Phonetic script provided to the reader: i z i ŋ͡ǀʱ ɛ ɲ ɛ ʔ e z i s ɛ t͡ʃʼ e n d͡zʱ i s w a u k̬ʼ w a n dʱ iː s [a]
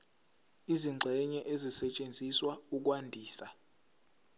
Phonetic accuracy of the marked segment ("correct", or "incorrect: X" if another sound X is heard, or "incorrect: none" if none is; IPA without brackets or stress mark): correct